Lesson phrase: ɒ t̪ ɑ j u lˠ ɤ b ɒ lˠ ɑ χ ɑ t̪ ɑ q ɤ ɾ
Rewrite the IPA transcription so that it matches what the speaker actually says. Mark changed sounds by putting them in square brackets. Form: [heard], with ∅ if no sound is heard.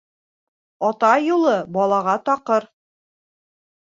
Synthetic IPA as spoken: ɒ t̪ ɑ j u lˠ ɤ b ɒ lˠ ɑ [ʁ] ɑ t̪ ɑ q ɤ ɾ

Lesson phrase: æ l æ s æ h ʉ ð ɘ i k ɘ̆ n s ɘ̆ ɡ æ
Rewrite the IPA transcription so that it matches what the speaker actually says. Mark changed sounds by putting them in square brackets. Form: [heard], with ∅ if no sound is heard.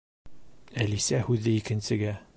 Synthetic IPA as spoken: æ l [i] s æ h ʉ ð ɘ i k ɘ̆ n s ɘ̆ ɡ æ

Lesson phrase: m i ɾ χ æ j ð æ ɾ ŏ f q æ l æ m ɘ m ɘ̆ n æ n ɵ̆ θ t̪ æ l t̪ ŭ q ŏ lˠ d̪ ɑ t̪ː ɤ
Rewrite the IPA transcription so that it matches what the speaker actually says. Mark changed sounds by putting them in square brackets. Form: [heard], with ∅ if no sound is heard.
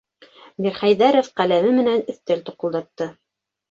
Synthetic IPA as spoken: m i ɾ χ æ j ð æ ɾ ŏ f q æ l æ m ɘ m ɘ̆ n æ n ɵ̆ θ t̪ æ l t̪ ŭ q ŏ lˠ d̪ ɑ t̪ː ɤ

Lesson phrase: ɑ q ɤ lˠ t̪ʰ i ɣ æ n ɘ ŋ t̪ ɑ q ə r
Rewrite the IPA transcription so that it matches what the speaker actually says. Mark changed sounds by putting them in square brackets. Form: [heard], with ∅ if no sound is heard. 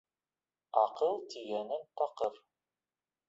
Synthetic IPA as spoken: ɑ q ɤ lˠ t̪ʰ i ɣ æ n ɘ [n] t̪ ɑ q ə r

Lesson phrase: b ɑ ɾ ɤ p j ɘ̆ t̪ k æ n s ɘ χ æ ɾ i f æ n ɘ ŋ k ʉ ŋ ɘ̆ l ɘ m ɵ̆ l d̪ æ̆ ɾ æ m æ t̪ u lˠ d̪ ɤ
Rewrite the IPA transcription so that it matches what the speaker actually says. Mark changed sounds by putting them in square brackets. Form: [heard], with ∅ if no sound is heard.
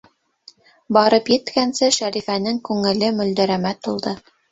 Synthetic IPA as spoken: b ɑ ɾ ɤ p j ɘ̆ t̪ k æ n s ɘ [ʃ] æ ɾ i f æ n ɘ ŋ k ʉ ŋ ɘ̆ l ɘ m ɵ̆ l d̪ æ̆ ɾ æ m æ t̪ u lˠ d̪ ɤ

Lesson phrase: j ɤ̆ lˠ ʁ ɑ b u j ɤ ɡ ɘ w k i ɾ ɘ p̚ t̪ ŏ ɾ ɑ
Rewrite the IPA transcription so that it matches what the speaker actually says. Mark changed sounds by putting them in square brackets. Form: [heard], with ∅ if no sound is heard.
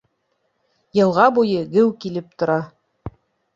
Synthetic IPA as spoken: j ɤ̆ lˠ ʁ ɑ b u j ɤ ɡ ɘ w k i [l] ɘ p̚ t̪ ŏ ɾ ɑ

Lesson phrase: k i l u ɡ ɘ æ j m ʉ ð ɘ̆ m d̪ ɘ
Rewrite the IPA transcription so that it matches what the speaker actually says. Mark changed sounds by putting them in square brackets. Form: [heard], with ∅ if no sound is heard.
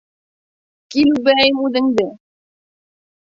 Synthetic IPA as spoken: k i l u [b] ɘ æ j m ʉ ð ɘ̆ [ŋ] d̪ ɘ

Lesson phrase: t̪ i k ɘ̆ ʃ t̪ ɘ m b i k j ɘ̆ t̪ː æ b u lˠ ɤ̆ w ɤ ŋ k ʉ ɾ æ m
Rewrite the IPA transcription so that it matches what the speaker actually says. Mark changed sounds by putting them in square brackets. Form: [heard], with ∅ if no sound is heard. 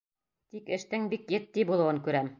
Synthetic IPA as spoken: t̪ i k ɘ̆ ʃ t̪ ɘ [ŋ] b i k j ɘ̆ t̪ː [i] b u lˠ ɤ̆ w ɤ ŋ k ʉ ɾ æ m

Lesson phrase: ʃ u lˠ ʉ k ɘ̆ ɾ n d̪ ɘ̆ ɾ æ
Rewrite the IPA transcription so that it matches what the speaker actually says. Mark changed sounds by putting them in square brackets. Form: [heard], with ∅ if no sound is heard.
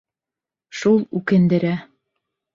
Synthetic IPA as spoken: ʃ u lˠ ʉ k ɘ̆ [∅] n d̪ ɘ̆ ɾ æ

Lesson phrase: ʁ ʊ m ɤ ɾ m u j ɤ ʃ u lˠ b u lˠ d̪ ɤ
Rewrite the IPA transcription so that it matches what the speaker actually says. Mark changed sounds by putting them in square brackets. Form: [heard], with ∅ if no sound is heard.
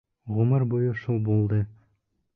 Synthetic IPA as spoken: ʁ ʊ m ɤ ɾ [b] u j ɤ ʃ u lˠ b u lˠ d̪ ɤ

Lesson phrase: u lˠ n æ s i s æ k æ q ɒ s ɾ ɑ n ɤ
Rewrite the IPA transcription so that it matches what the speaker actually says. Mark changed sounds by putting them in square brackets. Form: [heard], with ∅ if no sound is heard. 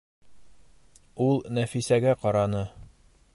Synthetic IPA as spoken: u lˠ n æ [f] i s æ [ɡ] æ q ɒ [∅] ɾ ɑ n ɤ

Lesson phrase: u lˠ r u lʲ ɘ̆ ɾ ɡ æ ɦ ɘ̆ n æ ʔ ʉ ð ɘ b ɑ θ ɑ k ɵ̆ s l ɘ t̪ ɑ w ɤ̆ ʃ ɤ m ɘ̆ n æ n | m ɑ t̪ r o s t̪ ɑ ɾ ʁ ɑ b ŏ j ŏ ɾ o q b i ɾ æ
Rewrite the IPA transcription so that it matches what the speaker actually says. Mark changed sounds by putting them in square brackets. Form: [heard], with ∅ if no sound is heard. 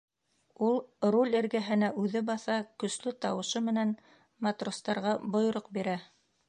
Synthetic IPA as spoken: u lˠ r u lʲ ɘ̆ ɾ ɡ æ ɦ ɘ̆ n æ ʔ ʉ ð ɘ b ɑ θ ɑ k ɵ̆ s l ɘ t̪ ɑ w ɤ̆ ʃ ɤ m ɘ̆ n æ n | m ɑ t̪ r o s t̪ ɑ ɾ ʁ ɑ b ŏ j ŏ ɾ o q b i ɾ æ

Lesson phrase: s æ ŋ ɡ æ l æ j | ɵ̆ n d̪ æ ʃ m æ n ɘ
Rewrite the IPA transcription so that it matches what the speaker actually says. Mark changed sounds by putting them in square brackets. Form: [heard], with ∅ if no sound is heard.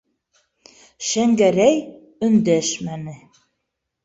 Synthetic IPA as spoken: [ʃ] æ ŋ ɡ æ [ɾ] æ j | ɵ̆ n d̪ æ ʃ m æ n ɘ

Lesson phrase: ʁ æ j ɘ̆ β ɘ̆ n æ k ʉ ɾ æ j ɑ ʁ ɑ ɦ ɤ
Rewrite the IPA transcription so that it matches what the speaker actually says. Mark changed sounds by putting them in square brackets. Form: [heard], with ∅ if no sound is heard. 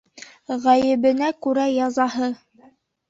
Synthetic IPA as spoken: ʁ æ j ɘ̆ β ɘ̆ n æ k ʉ ɾ æ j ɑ [z] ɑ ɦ ɤ

